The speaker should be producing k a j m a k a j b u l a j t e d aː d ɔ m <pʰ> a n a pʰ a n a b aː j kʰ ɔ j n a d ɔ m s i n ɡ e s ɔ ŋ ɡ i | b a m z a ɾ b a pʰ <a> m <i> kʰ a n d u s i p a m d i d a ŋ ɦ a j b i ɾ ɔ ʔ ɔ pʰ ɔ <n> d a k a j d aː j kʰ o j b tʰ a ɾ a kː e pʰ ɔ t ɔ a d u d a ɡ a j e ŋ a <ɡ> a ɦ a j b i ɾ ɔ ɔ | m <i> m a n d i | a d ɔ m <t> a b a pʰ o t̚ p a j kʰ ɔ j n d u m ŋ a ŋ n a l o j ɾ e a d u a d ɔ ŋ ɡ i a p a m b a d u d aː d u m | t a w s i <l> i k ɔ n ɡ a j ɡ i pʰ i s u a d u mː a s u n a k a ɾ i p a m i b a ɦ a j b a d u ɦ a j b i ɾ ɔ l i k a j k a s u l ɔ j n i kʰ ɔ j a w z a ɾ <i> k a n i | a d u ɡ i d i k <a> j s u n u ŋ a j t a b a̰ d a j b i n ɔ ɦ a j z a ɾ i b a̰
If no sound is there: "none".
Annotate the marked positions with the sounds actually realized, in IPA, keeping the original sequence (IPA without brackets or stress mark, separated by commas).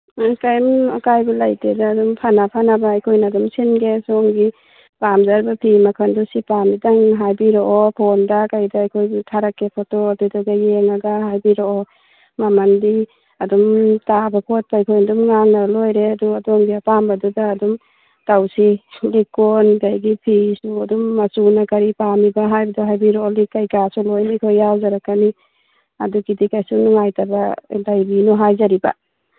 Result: pʰ, i, a, n, ɡ, a, t, l, a, a